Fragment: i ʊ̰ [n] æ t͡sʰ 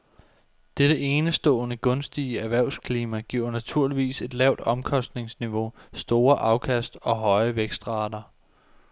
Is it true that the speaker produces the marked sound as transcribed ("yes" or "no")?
yes